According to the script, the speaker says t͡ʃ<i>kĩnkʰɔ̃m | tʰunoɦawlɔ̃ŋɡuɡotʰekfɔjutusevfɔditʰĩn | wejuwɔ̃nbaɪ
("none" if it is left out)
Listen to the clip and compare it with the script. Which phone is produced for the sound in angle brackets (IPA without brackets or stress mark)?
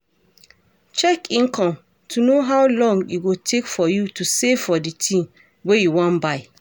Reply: ɛ